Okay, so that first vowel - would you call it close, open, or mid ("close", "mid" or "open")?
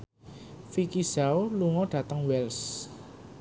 close